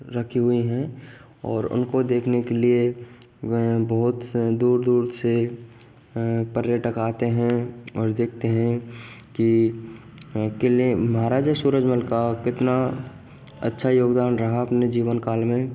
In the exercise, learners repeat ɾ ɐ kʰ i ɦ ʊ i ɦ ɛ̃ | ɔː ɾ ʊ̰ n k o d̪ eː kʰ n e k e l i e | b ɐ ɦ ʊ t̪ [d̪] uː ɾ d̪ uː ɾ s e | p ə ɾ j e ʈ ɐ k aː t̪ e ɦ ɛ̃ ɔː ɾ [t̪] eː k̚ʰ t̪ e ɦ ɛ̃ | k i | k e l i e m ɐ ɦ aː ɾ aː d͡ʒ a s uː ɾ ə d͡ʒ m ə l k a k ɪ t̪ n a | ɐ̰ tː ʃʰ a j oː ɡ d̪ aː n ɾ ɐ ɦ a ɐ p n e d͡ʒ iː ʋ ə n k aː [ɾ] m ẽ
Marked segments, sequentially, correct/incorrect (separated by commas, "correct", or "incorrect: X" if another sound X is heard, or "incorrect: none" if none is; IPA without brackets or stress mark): correct, incorrect: d̪, incorrect: l